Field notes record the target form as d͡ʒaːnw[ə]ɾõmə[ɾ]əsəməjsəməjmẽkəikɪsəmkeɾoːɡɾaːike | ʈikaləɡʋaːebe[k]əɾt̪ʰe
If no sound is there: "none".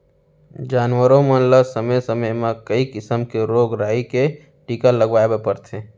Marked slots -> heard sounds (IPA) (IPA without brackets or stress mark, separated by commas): ə, l, p